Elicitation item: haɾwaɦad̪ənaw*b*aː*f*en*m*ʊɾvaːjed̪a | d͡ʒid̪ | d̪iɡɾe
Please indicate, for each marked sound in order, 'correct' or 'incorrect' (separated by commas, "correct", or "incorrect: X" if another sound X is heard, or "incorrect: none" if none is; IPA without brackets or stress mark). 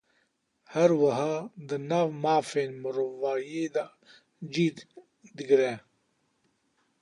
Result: incorrect: m, correct, correct